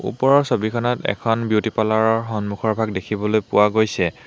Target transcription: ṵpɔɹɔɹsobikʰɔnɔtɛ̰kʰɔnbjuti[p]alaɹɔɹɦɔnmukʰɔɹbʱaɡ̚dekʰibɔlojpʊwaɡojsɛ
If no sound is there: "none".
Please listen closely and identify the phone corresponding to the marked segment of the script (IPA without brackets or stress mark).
p